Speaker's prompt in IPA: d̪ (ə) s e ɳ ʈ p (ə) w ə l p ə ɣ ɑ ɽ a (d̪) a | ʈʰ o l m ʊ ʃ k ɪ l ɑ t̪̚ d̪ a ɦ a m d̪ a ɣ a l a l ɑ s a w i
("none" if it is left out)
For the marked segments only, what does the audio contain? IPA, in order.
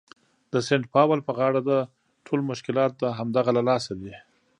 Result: ə, ɑ, d̪

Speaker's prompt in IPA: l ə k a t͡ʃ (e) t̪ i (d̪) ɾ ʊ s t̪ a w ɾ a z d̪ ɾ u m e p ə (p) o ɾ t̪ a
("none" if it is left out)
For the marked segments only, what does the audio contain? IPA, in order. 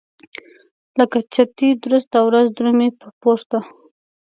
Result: a, d̪, p

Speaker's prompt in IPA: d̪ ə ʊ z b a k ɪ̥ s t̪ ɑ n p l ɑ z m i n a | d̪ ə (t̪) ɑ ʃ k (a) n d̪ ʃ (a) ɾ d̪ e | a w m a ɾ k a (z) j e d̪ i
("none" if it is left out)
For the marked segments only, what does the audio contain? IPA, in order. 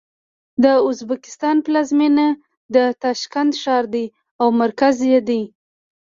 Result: t̪, a, ɑ, z

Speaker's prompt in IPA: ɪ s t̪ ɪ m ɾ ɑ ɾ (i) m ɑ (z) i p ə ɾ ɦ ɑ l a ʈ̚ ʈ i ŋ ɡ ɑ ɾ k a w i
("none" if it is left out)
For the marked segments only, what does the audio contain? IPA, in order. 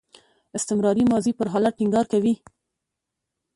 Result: i, z

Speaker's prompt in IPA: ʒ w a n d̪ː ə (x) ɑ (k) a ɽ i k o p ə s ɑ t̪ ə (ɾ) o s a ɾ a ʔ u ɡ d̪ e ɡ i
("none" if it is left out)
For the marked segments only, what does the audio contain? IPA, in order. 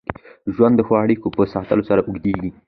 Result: x, none, l

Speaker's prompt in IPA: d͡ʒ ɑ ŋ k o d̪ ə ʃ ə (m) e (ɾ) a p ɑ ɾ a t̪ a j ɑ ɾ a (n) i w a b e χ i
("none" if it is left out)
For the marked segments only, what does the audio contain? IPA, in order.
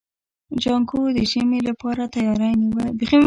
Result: m, l, n

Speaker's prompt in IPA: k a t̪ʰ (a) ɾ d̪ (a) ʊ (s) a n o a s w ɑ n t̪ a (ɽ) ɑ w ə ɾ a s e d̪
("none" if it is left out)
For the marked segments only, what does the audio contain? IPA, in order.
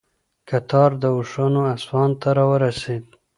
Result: ɑ, ə, ʂ, ɾ

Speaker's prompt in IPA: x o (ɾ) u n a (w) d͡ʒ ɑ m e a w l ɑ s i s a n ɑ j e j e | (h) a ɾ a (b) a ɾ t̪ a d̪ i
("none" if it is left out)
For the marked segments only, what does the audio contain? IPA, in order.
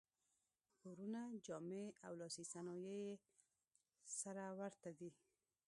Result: ɾ, none, s, w

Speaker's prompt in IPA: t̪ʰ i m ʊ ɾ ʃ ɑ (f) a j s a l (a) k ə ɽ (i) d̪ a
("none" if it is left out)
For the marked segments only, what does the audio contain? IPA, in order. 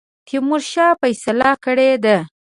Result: f, a, e

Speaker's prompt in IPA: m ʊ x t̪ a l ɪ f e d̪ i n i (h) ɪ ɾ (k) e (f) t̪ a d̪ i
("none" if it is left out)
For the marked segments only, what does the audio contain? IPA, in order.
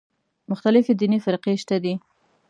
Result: f, q, ʃ

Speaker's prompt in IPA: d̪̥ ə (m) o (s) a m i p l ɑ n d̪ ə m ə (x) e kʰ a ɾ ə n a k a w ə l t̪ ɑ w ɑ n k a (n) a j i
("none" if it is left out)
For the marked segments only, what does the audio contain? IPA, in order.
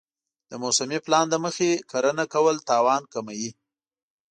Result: m, s, x, m

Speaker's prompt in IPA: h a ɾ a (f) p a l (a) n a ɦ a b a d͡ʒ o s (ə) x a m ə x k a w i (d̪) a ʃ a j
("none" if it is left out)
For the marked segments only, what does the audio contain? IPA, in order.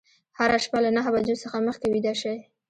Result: ʃ, a, ə, d̪

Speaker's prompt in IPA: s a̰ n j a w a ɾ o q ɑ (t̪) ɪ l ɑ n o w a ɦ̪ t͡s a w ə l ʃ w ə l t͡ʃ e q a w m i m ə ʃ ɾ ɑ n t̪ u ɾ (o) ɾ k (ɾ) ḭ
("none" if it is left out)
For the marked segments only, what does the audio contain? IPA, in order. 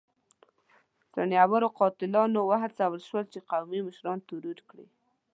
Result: t̪, u, ɽ

